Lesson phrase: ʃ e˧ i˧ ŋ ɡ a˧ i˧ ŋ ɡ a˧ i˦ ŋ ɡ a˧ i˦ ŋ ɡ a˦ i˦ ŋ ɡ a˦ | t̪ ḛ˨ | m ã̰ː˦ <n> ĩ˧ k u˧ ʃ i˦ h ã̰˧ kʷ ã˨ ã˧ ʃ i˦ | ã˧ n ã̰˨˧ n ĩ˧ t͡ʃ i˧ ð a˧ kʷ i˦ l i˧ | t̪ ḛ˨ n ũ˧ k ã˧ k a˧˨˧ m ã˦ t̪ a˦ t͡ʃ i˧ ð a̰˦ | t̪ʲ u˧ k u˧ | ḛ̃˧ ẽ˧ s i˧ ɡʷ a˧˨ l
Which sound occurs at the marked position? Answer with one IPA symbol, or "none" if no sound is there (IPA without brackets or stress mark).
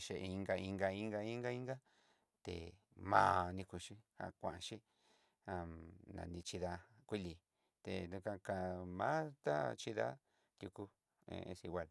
n